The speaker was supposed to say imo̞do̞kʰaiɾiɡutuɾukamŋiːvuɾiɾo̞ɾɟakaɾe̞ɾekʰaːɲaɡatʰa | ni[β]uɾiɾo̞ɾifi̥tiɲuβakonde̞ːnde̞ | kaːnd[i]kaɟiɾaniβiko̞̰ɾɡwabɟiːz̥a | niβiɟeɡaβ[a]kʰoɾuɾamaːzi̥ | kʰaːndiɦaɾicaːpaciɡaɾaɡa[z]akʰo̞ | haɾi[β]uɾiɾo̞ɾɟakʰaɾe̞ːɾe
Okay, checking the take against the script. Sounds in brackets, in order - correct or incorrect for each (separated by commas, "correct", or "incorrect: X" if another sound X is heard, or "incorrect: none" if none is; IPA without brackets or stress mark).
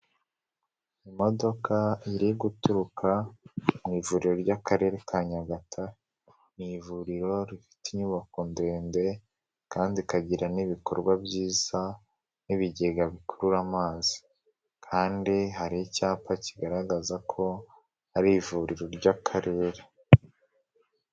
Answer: incorrect: v, correct, incorrect: i, correct, incorrect: v